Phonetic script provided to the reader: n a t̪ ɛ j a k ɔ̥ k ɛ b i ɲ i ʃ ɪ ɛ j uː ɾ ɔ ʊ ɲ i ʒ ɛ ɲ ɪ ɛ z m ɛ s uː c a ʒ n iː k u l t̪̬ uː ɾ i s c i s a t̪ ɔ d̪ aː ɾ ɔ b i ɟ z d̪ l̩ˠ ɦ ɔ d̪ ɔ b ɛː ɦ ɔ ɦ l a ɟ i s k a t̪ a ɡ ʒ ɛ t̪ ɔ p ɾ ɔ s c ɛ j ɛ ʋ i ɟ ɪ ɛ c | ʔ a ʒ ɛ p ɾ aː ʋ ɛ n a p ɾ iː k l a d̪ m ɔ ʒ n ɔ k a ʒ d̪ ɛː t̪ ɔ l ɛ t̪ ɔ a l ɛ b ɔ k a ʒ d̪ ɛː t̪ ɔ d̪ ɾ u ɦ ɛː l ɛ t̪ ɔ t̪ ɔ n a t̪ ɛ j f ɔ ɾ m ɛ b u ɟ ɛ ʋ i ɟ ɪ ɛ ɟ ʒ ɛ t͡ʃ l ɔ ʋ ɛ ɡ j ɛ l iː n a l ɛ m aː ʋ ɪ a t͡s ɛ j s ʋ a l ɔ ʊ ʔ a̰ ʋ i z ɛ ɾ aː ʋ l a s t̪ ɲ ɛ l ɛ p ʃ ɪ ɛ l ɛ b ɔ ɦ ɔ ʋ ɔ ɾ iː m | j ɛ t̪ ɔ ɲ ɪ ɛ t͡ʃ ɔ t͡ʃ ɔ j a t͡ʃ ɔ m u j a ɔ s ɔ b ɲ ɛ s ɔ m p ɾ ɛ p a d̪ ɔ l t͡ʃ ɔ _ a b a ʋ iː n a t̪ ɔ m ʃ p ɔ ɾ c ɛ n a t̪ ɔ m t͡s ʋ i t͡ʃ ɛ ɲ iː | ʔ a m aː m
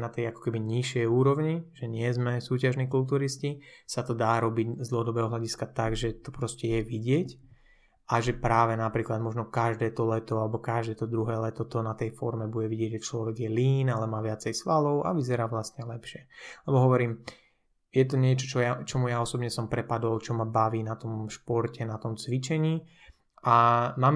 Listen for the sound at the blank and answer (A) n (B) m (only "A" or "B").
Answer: B